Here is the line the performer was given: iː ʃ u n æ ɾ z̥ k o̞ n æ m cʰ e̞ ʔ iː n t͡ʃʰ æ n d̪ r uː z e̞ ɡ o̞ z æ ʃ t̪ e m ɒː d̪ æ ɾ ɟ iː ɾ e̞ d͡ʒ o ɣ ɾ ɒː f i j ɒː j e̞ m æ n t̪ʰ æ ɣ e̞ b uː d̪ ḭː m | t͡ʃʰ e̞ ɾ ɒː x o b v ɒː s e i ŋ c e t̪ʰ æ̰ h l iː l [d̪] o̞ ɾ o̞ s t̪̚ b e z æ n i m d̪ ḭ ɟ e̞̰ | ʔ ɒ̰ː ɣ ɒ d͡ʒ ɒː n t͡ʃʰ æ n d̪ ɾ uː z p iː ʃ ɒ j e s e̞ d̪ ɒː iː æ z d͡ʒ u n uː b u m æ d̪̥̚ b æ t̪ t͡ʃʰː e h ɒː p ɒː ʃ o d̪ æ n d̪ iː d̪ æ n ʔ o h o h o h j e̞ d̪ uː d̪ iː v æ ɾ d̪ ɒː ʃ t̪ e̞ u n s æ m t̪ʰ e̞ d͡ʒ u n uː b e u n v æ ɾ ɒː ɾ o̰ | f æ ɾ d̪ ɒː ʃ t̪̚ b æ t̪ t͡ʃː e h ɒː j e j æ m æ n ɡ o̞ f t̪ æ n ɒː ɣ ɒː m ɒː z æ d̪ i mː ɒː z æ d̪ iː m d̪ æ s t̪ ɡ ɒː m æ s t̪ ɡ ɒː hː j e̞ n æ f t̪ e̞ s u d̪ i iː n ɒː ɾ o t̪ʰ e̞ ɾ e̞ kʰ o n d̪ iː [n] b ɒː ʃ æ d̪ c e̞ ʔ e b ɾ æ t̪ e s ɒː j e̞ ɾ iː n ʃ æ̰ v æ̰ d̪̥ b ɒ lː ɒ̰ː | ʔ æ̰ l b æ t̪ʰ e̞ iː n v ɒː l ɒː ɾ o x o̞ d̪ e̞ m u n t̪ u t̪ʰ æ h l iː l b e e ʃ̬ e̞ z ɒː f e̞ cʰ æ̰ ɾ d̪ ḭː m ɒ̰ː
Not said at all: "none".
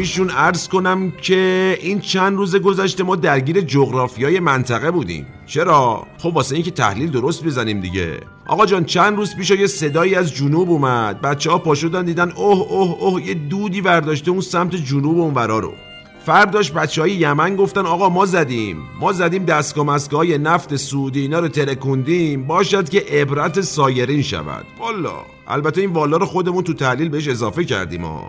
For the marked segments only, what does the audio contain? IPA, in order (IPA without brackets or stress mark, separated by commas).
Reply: d̪, m